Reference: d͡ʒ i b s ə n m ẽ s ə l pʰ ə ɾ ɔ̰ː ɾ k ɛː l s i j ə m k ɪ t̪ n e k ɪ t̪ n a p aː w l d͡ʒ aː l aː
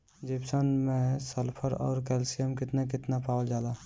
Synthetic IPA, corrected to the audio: d͡ʒ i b s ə n m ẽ s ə l pʰ ə ɾ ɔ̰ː ɾ k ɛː l s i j ə m k ɪ t̪ n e k ɪ t̪ n a p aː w l d͡ʒ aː l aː